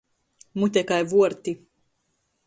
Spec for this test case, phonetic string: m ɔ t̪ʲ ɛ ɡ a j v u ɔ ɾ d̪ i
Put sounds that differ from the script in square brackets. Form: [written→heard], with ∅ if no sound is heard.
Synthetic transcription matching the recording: m [ɔ→u] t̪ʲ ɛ [ɡ→k] a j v u ɔ ɾ [d̪→t̪] i